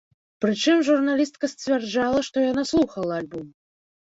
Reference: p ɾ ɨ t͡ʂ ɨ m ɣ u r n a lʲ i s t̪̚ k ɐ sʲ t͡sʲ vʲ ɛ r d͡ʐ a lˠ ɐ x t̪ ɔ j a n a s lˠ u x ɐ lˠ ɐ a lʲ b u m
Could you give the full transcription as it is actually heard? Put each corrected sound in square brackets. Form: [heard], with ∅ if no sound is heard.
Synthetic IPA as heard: p ɾ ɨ t͡ʂ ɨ m [ʐ] u r n a lʲ i s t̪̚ k ɐ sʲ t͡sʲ vʲ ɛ r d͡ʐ a lˠ ɐ [ʂ] t̪ ɔ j a n a s lˠ u x ɐ lˠ ɐ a lʲ b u m

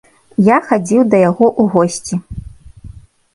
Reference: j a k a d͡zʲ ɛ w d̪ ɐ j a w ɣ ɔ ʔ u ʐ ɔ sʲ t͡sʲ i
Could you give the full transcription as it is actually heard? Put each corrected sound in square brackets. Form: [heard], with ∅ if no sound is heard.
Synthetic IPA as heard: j a [x] a d͡zʲ [i] w d̪ ɐ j a [∅] ɣ ɔ ʔ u [ɣ] ɔ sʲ t͡sʲ i

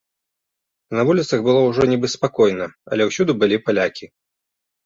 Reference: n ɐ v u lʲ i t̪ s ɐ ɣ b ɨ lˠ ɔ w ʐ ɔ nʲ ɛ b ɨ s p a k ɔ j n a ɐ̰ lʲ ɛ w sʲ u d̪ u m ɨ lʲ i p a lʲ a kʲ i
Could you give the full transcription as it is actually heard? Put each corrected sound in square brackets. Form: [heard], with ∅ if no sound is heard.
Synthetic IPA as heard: n ɐ v u lʲ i t̪ s ɐ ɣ b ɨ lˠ ɔ w ʐ ɔ nʲ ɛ b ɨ s p a k ɔ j n [ɐ] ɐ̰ lʲ ɛ w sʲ u d̪ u [b] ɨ lʲ i p a lʲ a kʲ i

